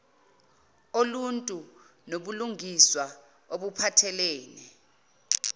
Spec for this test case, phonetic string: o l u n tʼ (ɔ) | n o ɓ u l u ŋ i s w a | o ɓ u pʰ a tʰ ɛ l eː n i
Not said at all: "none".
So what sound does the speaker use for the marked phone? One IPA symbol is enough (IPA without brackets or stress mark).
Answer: u